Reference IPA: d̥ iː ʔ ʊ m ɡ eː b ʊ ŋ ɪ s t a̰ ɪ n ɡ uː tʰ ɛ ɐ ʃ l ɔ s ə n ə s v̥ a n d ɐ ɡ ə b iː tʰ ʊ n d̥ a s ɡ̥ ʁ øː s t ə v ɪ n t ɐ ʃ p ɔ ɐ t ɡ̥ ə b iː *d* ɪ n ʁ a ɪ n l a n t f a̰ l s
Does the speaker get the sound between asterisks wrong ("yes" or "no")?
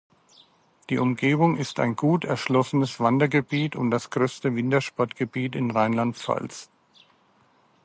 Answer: yes